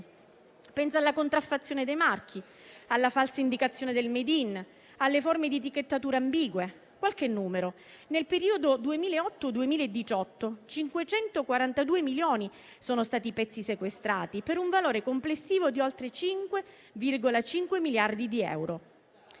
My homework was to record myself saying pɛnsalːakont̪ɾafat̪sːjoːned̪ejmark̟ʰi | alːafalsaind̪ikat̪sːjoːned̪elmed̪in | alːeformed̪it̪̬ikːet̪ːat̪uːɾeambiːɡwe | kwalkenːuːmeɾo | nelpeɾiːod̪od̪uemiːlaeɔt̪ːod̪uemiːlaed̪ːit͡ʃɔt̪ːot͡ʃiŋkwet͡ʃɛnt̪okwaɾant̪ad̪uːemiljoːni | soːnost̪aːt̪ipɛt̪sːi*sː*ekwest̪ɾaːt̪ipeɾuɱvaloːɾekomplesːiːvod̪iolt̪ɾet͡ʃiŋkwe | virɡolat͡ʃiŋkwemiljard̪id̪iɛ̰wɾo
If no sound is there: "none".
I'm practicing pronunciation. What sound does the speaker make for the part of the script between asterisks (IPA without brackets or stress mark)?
s